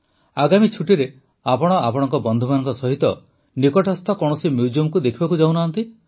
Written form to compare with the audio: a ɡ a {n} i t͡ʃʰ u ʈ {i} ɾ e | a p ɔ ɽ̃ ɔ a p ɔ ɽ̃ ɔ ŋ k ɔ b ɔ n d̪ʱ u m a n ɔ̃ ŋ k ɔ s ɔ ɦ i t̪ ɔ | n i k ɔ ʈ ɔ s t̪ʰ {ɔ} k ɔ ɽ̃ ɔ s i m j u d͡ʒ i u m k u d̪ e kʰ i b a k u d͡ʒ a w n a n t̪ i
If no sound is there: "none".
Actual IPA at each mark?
m, i, ɔ

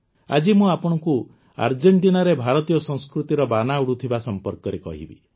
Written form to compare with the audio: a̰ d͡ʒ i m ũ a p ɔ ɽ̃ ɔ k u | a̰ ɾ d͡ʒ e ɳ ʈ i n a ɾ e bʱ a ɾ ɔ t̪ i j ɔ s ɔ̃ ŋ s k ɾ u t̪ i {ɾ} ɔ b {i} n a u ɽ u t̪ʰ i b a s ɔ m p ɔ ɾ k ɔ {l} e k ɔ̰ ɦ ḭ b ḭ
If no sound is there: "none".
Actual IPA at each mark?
ɾ, a, ɾ

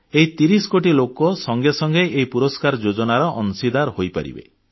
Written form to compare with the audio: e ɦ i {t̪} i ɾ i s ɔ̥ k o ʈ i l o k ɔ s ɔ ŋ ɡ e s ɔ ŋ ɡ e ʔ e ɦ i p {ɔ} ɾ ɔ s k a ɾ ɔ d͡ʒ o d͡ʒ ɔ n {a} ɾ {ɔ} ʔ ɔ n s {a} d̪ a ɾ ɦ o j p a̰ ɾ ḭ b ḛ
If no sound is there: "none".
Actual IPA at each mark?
t̪, u, a, ɔ, i

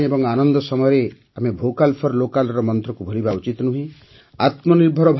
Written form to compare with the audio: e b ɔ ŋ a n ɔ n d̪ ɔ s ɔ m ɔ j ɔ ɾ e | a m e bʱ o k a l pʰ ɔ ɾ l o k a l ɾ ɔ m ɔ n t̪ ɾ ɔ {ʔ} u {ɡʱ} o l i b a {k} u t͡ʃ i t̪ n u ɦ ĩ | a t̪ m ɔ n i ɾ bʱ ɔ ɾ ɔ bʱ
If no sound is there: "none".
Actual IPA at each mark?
k, bʱ, none

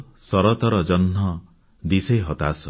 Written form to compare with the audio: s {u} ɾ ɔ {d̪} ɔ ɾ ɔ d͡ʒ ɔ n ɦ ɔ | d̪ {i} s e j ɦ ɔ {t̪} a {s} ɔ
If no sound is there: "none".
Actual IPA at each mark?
ɔ, t̪, i, t̪, s

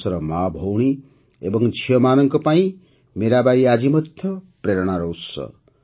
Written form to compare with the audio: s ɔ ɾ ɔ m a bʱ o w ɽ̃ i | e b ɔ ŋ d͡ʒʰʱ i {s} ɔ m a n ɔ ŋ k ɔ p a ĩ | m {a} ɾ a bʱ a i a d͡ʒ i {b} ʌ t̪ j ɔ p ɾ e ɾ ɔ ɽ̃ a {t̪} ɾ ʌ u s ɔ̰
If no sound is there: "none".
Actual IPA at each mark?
none, e, m, none

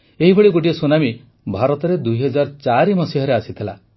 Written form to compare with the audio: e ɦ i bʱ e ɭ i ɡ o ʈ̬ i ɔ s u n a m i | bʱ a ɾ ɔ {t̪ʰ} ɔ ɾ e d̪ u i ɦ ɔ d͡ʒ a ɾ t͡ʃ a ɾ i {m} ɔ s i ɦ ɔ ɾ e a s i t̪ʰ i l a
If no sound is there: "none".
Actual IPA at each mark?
t̪, m

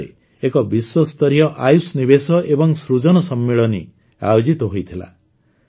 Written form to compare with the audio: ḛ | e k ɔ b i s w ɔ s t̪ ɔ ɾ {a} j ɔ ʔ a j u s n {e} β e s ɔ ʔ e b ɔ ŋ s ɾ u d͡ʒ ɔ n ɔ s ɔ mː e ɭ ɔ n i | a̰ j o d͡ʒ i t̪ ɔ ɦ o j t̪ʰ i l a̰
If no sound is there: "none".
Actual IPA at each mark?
i, i

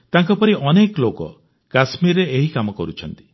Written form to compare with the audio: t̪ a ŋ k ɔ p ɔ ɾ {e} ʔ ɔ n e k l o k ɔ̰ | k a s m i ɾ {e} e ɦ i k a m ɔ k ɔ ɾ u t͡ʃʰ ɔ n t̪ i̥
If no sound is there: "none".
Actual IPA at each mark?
i, e

